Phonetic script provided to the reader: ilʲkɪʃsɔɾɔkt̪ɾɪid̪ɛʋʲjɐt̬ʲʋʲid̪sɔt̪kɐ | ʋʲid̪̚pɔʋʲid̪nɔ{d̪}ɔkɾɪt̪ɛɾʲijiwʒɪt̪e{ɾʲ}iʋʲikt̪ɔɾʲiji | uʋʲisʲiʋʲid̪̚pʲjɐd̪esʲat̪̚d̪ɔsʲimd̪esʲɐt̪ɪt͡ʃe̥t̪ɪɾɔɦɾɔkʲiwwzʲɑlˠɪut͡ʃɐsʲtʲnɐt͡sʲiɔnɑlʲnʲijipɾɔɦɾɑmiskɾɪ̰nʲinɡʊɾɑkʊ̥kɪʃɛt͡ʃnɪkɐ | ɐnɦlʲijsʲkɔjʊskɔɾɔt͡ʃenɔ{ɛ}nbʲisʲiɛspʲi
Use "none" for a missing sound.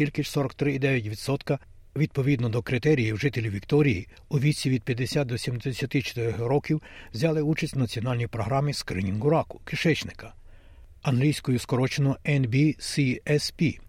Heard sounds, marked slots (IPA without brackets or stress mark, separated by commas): d̪, lʲ, ɛ